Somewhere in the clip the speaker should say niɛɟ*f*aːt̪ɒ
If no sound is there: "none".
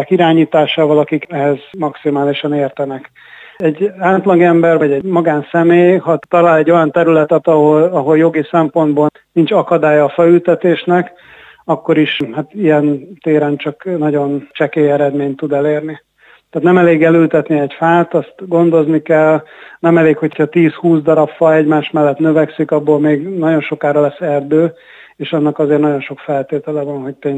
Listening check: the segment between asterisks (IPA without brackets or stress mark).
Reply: f